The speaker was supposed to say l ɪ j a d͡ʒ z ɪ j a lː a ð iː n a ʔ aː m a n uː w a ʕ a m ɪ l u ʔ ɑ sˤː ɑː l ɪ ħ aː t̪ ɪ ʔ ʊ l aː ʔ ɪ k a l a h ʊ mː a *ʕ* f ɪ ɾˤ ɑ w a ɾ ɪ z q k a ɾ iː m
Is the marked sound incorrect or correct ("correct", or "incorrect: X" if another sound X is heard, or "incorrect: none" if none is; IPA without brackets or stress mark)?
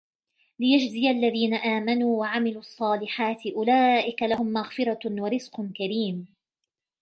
incorrect: ɣ